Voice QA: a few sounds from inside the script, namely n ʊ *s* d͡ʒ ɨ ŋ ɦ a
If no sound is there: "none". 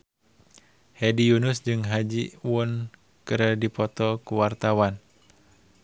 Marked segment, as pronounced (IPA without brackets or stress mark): s